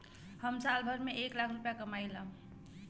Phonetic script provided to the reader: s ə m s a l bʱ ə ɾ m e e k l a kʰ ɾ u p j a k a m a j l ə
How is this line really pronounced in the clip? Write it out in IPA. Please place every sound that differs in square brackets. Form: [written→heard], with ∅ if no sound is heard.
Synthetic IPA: [s→h] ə m s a l bʱ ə ɾ m e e k l a kʰ ɾ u p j a k [a→ə] m a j l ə